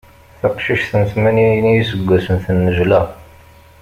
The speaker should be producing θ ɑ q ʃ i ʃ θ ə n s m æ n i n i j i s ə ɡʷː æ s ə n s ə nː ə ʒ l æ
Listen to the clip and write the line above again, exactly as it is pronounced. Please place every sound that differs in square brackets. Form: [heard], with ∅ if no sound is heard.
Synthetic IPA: θ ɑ q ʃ i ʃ θ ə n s m æ n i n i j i s ə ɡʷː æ s ə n [θ] ə nː ə ʒ l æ